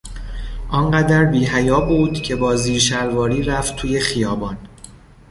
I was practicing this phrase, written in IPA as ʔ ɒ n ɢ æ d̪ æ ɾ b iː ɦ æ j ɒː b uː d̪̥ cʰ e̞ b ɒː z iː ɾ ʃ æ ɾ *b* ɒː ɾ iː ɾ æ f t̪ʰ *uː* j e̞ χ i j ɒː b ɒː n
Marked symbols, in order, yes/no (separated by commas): no, yes